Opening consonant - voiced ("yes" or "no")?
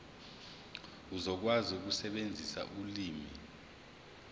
yes